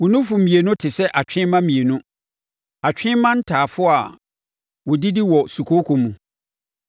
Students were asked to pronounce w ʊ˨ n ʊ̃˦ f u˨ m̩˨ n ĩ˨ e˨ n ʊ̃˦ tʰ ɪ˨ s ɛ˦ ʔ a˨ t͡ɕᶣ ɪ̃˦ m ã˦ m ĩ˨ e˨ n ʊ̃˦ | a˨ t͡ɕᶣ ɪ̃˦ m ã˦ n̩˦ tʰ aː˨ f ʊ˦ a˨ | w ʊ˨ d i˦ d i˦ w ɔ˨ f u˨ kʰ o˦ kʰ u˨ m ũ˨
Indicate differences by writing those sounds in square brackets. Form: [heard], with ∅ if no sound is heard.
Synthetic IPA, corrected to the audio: w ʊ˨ n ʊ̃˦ f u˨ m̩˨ [m] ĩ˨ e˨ n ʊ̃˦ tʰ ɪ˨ s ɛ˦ ʔ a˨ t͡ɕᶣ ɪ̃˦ m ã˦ m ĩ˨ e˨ n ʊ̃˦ | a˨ t͡ɕᶣ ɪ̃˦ m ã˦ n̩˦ tʰ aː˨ f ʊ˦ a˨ | w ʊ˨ d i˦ d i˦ w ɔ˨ [s] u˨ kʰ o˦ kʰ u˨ m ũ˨